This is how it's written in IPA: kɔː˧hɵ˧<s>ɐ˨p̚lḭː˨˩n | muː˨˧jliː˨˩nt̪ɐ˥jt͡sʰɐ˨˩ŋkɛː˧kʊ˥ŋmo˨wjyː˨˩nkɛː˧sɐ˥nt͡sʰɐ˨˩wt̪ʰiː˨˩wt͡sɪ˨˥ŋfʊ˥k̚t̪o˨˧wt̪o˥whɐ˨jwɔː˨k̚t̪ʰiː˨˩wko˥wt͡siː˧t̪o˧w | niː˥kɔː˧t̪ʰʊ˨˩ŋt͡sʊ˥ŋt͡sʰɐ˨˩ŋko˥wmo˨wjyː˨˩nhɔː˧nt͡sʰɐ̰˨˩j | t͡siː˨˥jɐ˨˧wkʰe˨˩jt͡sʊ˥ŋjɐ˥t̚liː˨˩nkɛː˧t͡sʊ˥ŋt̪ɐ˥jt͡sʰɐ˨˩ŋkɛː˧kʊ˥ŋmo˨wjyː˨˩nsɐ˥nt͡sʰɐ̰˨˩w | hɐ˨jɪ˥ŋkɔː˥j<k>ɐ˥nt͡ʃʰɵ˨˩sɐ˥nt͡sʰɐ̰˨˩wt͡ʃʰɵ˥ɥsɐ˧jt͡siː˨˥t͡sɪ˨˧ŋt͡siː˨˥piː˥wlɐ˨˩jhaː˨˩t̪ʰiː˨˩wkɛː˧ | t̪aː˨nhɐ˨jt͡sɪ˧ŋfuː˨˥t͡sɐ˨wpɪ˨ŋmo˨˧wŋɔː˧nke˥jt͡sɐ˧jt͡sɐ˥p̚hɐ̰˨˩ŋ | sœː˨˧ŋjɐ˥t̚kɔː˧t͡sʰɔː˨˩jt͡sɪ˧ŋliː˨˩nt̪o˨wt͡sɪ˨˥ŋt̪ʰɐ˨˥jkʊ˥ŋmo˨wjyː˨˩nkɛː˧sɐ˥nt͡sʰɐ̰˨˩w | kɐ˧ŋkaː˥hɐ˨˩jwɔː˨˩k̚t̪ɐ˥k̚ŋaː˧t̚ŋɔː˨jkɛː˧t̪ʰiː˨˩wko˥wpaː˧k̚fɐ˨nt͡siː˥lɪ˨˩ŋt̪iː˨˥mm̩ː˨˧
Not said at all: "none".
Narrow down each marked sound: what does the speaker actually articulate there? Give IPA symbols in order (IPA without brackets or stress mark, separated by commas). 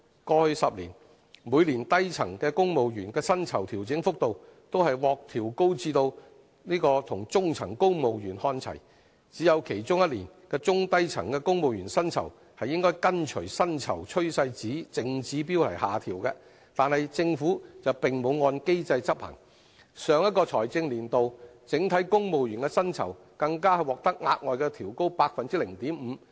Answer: s, k